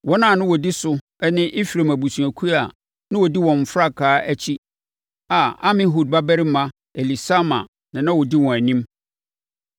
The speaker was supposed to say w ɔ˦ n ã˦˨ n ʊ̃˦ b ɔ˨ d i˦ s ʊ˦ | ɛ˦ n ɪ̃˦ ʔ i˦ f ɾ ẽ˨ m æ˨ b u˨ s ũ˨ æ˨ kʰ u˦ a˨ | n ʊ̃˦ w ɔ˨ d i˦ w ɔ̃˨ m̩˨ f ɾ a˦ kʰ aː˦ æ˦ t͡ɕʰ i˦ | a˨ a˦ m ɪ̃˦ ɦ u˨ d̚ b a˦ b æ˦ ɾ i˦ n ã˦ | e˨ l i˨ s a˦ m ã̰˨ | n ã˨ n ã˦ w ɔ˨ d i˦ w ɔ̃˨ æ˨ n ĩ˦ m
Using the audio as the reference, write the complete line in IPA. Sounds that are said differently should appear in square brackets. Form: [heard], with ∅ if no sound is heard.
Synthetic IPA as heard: w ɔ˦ n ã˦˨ n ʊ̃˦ [w] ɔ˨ d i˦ s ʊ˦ | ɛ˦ n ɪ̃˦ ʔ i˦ f ɾ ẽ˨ m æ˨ b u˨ s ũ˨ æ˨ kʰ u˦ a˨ | n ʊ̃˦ w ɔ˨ d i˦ w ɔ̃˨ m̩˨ f ɾ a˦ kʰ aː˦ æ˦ t͡ɕʰ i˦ | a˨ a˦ m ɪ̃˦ ɦ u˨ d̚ b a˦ b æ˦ ɾ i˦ [m] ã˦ | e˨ l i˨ s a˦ m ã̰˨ | n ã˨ n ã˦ w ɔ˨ d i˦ w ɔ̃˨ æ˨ n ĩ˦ m